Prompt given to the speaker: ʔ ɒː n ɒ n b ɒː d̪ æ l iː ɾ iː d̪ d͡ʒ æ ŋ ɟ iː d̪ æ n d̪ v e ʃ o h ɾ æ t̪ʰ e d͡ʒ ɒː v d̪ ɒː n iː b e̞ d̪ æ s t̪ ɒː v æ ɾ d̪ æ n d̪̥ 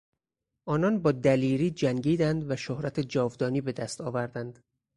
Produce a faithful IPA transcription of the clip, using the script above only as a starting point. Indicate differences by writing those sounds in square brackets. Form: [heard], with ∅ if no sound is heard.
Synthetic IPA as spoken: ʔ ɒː n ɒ n b ɒː d̪ æ l iː ɾ iː [∅] d͡ʒ æ ŋ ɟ iː d̪ æ n d̪ v [æ] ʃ o h ɾ æ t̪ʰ e d͡ʒ ɒː v d̪ ɒː n iː b e̞ d̪ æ s t̪ ɒː v æ ɾ d̪ æ n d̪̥